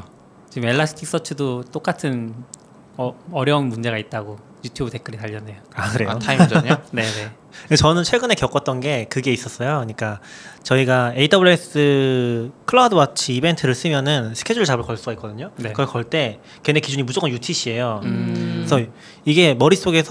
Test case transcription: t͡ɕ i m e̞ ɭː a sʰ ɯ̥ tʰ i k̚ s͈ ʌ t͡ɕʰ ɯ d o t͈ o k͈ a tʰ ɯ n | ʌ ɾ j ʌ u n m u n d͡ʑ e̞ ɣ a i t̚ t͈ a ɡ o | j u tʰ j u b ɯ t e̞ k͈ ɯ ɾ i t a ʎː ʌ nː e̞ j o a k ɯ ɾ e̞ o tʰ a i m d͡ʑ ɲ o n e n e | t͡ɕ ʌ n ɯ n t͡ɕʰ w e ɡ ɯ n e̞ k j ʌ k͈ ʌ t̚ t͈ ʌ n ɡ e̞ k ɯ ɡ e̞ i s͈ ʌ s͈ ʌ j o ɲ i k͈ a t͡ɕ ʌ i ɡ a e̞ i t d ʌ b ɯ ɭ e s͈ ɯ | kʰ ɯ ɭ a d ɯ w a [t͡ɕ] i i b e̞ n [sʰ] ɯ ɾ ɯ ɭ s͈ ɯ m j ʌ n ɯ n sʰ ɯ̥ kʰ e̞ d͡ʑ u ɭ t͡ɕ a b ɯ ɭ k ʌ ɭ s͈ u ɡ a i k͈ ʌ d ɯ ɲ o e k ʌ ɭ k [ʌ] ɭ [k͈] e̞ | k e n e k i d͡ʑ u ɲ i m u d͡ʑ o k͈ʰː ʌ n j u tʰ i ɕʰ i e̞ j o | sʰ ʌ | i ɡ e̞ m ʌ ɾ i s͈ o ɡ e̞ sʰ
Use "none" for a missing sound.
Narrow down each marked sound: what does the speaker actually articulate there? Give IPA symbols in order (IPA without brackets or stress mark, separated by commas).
t͡ɕʰ, tʰ, ʌ, t͈